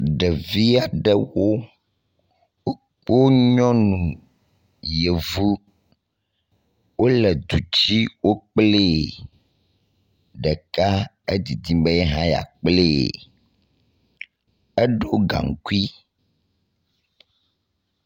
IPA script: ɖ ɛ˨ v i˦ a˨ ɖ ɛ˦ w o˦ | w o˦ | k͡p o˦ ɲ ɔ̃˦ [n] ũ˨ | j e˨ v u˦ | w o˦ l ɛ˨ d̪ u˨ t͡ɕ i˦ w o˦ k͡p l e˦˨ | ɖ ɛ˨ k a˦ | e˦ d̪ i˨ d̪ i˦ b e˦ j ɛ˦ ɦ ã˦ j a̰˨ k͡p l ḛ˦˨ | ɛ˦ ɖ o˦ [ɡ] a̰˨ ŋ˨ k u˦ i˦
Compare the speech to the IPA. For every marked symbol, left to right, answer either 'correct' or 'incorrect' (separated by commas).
correct, correct